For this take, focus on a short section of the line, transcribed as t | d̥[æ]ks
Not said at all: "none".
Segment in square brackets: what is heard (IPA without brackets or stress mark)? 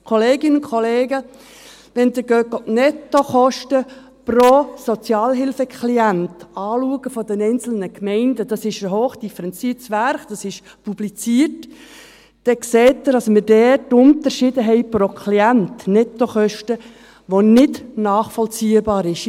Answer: ɛ